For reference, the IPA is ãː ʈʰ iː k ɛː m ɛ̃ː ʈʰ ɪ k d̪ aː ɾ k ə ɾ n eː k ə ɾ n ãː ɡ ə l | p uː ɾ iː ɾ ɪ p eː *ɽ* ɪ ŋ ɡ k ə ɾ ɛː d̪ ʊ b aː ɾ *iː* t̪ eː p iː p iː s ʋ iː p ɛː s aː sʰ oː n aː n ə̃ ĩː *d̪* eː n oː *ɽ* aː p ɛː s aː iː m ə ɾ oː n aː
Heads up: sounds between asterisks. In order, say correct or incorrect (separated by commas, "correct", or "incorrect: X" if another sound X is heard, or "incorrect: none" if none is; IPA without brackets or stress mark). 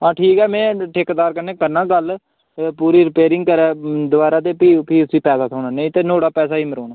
incorrect: ɾ, incorrect: aː, incorrect: t̪, correct